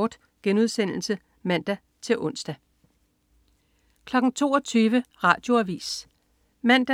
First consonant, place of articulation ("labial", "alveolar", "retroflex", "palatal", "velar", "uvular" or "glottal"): alveolar